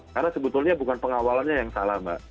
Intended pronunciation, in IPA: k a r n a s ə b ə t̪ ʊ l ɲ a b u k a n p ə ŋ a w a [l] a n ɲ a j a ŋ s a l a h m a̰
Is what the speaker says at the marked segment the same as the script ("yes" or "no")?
yes